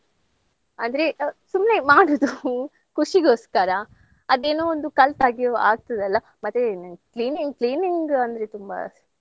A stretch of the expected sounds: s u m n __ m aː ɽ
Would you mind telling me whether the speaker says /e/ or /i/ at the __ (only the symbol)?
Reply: e